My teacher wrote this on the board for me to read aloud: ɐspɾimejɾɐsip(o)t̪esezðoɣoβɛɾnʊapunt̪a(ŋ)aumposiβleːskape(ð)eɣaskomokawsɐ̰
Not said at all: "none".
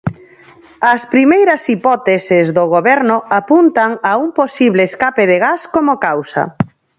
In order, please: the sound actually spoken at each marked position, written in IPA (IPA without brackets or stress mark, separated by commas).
ɔ, ŋ, ð